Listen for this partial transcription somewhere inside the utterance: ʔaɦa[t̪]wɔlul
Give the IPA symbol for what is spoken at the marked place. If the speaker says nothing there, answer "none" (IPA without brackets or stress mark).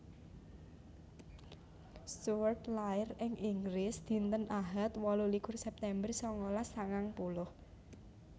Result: t̪